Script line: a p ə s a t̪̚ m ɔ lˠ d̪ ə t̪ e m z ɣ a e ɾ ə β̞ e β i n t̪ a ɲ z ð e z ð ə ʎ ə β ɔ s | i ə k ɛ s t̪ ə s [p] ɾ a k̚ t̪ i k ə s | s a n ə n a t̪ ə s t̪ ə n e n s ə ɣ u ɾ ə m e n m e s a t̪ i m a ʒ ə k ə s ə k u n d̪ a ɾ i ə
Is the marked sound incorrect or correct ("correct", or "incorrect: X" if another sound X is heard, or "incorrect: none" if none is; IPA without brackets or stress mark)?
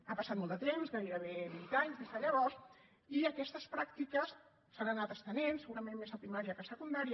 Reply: correct